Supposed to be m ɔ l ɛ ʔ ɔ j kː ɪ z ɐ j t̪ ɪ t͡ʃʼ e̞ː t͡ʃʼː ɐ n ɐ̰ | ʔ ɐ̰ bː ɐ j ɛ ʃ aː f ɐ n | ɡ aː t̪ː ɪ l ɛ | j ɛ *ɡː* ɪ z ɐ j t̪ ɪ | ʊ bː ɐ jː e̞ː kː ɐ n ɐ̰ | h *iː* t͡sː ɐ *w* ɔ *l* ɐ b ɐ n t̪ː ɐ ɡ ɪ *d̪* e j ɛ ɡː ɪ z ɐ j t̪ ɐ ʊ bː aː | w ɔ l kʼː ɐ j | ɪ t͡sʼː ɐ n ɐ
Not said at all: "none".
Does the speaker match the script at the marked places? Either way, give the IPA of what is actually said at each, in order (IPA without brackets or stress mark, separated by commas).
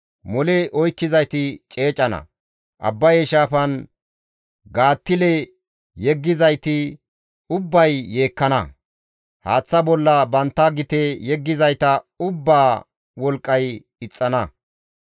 ɡː, aː, b, lː, t̪